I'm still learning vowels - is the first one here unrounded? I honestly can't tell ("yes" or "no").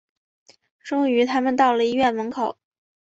no